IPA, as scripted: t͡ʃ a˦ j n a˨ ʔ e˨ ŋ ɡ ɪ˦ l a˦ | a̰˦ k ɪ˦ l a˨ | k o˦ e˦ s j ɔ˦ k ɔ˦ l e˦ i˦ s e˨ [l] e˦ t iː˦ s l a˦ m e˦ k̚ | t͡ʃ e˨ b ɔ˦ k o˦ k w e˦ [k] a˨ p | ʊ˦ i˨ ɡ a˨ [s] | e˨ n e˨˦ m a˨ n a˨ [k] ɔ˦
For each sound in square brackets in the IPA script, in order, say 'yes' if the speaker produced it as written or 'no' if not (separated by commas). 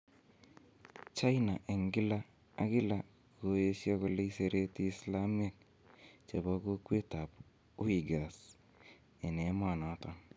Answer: no, no, yes, no